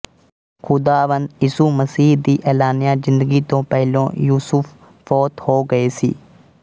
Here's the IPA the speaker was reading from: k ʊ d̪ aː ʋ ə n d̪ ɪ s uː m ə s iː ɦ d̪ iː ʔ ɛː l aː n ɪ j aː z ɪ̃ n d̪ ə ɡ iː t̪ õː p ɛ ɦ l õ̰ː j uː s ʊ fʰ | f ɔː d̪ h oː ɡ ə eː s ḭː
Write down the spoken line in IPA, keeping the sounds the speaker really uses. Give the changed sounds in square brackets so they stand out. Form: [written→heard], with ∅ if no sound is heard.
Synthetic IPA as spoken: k ʊ d̪ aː ʋ ə n d̪ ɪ s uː m ə s iː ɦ d̪ iː ʔ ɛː l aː n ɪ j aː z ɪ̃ n d̪ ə ɡ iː t̪ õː p ɛ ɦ l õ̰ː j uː s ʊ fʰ | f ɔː [d̪→t̪] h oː ɡ ə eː s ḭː